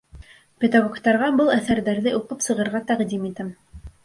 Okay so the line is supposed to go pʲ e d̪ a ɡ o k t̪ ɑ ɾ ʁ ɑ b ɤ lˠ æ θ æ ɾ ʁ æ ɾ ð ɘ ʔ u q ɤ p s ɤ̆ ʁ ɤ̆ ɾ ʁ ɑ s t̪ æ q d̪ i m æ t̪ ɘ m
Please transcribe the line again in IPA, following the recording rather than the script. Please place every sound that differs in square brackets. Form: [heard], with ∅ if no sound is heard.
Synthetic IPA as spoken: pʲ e d̪ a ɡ o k t̪ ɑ ɾ ʁ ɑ b ɤ lˠ æ θ æ ɾ [ð] æ ɾ ð ɘ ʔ u q ɤ p s ɤ̆ ʁ ɤ̆ ɾ ʁ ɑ [∅] t̪ æ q d̪ i m [i] t̪ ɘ m